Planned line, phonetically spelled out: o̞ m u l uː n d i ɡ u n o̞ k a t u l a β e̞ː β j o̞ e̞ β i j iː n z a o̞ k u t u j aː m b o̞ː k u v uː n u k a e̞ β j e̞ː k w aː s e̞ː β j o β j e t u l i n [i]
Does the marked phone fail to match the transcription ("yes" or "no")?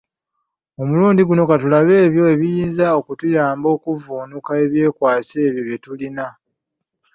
yes